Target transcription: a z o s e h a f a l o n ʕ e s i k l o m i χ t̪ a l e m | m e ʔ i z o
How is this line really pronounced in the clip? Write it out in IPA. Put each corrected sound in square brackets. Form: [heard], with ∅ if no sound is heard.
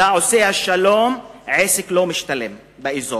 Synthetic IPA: a [ʕ] o s e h a [ʃ] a l o [m] ʕ e s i k l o m i [ʃ] t̪ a l e m | [b] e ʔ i z o